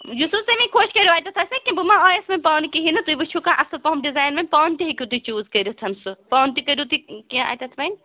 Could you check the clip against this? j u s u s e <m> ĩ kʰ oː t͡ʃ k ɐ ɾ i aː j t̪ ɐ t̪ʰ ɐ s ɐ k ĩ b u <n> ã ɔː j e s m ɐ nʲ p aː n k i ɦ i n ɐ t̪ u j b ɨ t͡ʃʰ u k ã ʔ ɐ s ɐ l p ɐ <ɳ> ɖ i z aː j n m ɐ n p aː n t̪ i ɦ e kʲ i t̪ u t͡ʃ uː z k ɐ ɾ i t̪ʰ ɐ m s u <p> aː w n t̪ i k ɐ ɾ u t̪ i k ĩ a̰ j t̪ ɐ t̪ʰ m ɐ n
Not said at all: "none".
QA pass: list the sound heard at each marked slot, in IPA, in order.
m, m, m, p

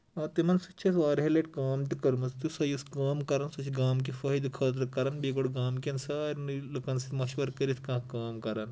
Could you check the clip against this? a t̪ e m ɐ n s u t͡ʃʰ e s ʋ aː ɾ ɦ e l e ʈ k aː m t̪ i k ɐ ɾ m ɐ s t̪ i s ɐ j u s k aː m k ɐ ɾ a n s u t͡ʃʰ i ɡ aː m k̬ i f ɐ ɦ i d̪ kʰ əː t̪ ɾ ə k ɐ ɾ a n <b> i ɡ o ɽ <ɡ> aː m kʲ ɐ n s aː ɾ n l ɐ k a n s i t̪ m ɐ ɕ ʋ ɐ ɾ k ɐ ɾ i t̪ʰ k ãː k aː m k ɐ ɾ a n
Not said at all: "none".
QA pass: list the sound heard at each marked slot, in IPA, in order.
b, ɡ

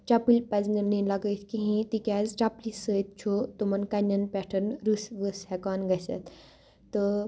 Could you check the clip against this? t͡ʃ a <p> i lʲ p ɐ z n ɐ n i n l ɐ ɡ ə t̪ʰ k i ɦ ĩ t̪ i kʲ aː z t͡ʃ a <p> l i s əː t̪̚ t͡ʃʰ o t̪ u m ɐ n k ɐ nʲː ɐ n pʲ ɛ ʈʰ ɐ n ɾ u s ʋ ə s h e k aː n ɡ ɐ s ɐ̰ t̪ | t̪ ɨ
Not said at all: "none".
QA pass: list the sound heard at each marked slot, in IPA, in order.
p, p

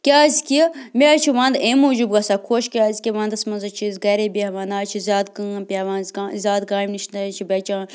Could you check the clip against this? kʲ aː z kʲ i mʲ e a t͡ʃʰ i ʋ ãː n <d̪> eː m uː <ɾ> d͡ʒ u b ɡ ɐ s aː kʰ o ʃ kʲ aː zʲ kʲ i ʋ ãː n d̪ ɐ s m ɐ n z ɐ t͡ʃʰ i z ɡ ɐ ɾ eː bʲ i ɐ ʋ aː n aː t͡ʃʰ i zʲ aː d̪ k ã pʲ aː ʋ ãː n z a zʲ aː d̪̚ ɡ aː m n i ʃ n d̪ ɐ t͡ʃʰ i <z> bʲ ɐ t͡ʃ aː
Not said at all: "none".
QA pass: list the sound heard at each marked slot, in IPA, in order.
d̪, none, none

